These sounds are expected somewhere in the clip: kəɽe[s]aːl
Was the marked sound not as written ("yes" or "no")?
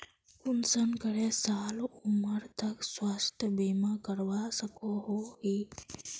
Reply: no